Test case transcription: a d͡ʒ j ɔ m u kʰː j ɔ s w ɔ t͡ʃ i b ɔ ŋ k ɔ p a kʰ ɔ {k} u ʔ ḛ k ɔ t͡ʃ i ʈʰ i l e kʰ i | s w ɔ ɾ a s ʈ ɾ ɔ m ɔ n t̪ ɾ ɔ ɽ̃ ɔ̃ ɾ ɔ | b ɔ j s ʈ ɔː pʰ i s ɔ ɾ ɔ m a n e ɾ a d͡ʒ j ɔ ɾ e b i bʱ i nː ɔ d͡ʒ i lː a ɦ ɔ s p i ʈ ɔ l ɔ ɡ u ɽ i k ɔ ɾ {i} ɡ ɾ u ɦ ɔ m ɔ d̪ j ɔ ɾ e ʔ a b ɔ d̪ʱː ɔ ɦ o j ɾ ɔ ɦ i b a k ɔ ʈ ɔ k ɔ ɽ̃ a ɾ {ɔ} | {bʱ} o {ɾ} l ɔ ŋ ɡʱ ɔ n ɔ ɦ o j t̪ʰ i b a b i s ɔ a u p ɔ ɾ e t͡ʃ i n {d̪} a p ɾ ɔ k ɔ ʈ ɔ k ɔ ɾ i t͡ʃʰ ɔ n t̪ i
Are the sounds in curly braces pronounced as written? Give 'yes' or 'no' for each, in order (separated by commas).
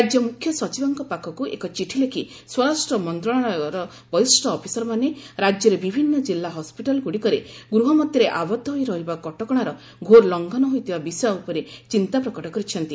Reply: yes, no, yes, no, yes, no